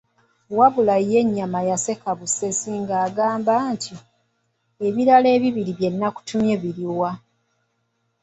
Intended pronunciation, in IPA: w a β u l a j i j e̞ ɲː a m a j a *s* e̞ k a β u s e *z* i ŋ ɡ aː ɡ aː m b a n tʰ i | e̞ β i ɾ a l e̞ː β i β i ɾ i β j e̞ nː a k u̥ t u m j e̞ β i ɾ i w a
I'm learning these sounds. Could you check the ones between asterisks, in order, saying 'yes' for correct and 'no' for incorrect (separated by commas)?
yes, no